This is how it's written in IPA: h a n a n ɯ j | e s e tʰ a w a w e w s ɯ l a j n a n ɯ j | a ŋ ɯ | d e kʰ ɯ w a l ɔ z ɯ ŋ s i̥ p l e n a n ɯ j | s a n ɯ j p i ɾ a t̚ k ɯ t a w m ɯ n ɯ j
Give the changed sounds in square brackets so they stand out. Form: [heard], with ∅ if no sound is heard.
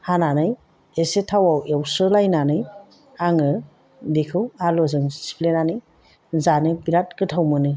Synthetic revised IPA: h a n a n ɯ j | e s e tʰ a w a w e w s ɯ l a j n a n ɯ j | a ŋ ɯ | d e kʰ ɯ w a l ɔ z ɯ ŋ s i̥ p l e n a n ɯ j | [z] a n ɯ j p i ɾ a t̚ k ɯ [tʰ] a w m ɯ n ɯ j